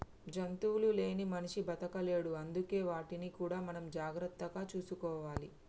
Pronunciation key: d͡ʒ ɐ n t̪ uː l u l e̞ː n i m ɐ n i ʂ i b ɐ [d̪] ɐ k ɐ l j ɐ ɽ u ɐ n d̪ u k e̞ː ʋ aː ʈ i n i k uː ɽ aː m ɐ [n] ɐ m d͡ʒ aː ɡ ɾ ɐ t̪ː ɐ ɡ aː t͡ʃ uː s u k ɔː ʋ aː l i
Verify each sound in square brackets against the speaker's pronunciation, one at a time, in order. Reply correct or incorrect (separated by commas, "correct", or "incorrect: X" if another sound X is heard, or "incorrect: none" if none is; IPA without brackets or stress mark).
incorrect: t̪, correct